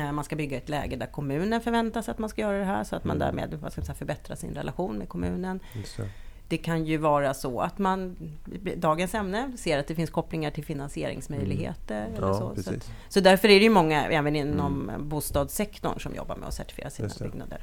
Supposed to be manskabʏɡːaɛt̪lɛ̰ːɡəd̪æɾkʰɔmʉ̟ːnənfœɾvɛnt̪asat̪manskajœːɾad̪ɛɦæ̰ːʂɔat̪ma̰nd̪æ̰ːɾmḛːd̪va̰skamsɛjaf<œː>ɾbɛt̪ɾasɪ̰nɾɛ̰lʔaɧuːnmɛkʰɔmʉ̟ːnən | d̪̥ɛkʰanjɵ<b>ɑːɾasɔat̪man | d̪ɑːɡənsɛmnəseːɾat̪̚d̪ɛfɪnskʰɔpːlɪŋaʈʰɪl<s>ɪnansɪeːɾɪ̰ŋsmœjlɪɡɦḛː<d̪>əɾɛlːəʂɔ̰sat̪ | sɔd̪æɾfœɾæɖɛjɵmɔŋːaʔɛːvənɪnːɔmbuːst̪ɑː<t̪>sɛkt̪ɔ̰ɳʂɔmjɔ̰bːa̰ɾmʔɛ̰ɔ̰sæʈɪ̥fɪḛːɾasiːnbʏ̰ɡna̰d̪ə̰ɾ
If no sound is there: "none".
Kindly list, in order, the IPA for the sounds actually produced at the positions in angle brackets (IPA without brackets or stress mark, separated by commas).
œ, v, f, t̪, d̪